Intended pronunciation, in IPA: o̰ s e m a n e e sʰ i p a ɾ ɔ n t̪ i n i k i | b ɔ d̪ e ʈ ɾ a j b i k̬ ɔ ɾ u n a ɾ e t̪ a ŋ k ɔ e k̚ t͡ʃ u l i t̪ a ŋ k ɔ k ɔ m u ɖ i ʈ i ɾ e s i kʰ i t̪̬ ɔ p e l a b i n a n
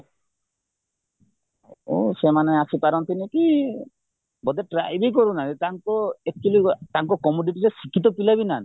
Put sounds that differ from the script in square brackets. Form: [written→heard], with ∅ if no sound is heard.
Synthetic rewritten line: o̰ s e m a n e [e→a] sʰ i p a ɾ ɔ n t̪ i n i k i | b ɔ d̪ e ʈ ɾ a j b i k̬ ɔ ɾ u n a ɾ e t̪ a ŋ k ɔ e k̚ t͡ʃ u l i t̪ a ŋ k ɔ k ɔ m u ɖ i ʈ i ɾ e s i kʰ i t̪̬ ɔ p [e→i] l a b i n a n